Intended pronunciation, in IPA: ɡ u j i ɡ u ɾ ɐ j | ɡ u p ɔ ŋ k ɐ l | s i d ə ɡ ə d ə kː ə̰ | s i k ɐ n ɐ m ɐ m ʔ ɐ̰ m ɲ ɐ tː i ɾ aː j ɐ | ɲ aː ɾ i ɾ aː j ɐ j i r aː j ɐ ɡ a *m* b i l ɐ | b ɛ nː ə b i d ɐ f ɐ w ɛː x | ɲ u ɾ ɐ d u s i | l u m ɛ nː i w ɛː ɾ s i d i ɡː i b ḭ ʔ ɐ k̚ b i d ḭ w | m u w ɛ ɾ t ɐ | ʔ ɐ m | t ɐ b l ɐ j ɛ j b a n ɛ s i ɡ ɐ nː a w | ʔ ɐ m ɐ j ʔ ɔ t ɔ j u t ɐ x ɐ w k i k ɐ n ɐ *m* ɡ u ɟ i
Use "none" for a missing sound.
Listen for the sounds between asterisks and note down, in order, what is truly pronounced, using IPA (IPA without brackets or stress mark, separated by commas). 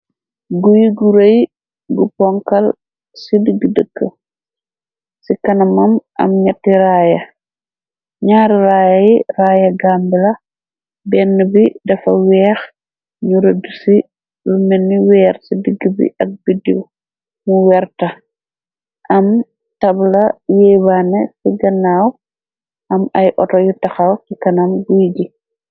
m, m